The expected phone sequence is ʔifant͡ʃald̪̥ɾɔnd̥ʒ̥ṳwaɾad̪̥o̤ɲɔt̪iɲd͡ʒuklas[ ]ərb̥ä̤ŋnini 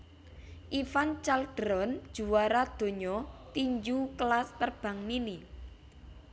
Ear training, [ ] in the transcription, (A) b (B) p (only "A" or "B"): B